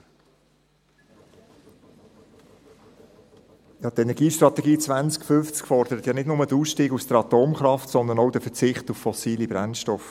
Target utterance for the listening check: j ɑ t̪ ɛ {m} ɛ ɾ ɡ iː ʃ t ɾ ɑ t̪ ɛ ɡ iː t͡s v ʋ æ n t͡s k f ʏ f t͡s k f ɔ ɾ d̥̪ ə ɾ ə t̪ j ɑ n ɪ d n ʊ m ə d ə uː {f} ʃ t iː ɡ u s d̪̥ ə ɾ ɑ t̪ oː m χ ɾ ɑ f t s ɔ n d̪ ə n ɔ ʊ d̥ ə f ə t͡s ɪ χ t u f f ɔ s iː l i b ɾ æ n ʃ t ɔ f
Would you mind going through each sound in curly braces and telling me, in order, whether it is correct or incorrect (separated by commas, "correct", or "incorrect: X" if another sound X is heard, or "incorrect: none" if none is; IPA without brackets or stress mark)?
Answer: incorrect: n, incorrect: s